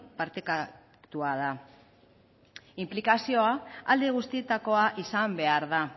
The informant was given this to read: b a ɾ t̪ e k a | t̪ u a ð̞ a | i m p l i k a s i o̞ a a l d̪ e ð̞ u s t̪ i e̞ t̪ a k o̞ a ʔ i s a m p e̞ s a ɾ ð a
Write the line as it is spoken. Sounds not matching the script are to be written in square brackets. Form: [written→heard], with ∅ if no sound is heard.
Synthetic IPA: [b→p] a ɾ t̪ e k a | t̪ u a ð̞ a | i m p l i k a s i o̞ a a l d̪ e [ð̞→ɣ̞] u s t̪ i e̞ t̪ a k o̞ a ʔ i s a m [p→b] e̞ [s→∅] a ɾ ð a